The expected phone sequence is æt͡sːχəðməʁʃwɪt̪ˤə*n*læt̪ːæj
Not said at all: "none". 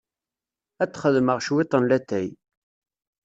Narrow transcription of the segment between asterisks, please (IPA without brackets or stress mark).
n